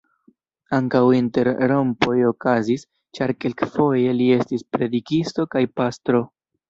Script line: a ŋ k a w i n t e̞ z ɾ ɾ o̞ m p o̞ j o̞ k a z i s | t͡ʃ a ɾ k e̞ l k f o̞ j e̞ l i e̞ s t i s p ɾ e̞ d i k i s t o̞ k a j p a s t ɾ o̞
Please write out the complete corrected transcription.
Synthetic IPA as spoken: a ŋ k a w i n t e̞ ɾ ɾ o̞ m p o̞ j o̞ k a z i s | t͡ʃ a ɾ k e̞ l k f o̞ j e̞ l i e̞ s t i s p ɾ e̞ d i k i s t o̞ k a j p a s t ɾ o̞